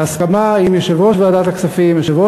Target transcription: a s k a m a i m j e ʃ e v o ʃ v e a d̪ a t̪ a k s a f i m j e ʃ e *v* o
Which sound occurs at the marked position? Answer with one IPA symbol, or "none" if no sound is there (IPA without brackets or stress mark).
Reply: v